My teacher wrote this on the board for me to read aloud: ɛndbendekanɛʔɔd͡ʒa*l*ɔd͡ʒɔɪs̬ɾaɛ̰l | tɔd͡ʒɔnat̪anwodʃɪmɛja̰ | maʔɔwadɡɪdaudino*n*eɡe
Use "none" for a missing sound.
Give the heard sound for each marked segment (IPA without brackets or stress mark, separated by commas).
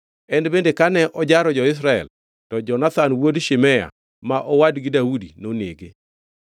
ɾ, n